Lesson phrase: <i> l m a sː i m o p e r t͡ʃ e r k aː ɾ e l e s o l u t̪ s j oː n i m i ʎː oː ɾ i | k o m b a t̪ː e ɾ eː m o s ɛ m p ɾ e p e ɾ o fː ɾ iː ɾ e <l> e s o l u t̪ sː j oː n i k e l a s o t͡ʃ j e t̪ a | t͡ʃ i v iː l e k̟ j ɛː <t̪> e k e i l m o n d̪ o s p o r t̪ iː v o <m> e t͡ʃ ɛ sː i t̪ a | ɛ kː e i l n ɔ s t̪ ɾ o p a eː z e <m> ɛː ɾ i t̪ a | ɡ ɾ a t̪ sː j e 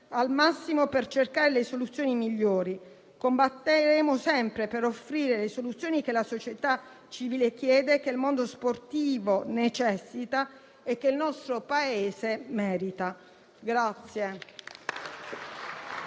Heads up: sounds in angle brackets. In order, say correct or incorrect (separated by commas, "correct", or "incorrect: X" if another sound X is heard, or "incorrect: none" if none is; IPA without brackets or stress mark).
incorrect: a, correct, incorrect: d̪, incorrect: n, correct